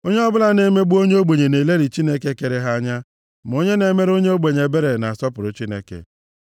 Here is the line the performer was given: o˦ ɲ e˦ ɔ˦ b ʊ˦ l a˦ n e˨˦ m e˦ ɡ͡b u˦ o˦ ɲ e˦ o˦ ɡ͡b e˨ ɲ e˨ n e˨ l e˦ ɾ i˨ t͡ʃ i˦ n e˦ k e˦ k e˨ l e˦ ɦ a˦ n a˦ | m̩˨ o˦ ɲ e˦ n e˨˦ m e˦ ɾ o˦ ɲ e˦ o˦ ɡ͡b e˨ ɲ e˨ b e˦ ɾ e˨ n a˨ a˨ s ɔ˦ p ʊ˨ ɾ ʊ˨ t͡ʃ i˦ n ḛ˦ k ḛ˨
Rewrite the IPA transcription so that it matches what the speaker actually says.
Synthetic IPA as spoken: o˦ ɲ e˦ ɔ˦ b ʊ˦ l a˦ n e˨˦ m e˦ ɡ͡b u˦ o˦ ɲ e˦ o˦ ɡ͡b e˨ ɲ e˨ n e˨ l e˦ ɾ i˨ t͡ʃ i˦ n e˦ k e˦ k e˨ ɾ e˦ ɦ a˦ ɲ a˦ | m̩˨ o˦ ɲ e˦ n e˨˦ m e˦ ɾ o˦ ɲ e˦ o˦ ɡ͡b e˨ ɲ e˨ b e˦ ɾ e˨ n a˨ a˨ s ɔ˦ p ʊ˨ ɾ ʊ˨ t͡ʃ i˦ n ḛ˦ k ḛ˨